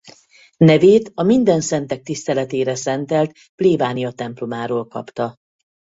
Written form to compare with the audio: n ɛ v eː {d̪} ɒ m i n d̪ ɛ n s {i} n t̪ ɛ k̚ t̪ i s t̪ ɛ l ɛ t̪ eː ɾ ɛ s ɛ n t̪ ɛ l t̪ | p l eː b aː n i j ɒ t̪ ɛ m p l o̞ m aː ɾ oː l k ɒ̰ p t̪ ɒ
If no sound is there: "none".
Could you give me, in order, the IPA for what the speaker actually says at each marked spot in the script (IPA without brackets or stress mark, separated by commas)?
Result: t̪, ɛ